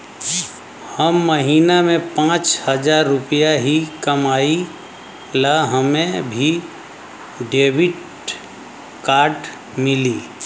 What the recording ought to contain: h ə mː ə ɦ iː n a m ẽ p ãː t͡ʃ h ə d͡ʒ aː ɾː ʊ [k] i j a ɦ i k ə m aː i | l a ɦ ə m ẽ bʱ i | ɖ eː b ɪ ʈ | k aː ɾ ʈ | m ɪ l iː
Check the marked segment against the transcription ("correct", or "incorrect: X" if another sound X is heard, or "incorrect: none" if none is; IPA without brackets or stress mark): incorrect: p